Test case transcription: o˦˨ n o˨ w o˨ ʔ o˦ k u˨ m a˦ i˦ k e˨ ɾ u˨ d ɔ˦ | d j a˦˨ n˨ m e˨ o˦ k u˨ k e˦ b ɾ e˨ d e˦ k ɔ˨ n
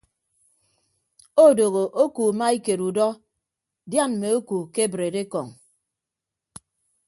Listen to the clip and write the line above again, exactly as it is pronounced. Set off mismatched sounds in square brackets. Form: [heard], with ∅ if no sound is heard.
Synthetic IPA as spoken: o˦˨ [d] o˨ [ɣ] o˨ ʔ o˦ k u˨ m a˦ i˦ k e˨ ɾ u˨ d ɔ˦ | d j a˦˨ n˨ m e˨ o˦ k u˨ k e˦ b ɾ e˨ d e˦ k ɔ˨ [ŋ]